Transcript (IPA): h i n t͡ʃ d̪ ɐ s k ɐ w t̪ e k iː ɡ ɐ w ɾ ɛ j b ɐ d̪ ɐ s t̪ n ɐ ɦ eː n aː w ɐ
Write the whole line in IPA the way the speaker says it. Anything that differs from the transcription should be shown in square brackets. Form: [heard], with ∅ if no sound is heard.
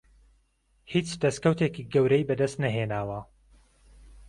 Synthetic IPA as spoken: h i [∅] t͡ʃ d̪ ɐ s k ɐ w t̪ e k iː ɡ ɐ w ɾ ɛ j b ɐ d̪ ɐ s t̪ n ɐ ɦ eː n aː w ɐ